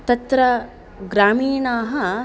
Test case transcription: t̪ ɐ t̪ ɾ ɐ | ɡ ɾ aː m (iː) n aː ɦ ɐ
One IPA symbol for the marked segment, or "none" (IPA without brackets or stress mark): iː